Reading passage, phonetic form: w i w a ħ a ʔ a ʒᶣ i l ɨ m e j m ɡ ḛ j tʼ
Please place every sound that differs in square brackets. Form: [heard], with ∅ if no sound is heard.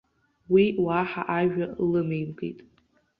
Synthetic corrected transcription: w i w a ħ a ʔ a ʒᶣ [a] l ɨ m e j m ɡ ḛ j tʼ